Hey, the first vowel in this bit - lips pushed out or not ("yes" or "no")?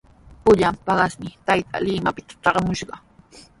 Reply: yes